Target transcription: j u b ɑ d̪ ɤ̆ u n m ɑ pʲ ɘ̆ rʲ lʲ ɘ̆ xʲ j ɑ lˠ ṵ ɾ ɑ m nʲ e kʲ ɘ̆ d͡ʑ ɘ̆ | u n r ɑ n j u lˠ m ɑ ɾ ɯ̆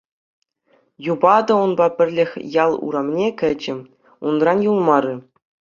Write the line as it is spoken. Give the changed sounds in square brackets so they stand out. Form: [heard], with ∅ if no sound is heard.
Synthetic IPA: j u b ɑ d̪ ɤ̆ u n [b] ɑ pʲ ɘ̆ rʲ lʲ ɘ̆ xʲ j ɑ lˠ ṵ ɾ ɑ m nʲ e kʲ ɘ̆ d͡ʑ ɘ̆ | u n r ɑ n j u lˠ m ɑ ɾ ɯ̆